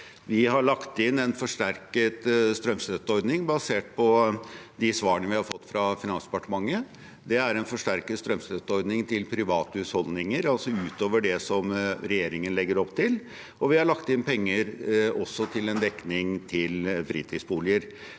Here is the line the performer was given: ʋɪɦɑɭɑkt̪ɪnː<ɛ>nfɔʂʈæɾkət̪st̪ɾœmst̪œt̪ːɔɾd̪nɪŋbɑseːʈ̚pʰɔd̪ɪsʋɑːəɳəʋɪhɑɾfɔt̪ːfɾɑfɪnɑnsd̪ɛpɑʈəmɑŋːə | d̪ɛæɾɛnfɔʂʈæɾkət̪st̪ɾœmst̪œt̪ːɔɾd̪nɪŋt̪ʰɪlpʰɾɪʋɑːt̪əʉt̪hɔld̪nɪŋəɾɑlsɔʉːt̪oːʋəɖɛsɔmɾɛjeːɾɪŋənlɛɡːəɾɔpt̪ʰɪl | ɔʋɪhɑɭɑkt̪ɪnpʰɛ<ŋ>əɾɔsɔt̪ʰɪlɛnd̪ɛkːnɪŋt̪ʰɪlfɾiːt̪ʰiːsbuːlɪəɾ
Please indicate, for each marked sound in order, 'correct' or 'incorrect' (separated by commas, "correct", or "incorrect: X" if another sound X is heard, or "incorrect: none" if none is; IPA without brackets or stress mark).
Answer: correct, incorrect: ŋː